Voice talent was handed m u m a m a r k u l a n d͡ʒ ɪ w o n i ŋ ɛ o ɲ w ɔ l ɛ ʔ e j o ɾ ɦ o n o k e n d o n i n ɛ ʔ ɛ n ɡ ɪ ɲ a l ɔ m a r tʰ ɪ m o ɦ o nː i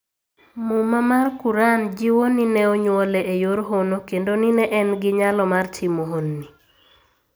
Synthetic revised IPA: m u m a m a r k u ɾ a n d͡ʒ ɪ w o n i n ɛ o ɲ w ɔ l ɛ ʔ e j o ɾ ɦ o n o k e n d o n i n ɛ ʔ ɛ n ɡ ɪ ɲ a l ɔ m a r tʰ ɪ m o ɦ o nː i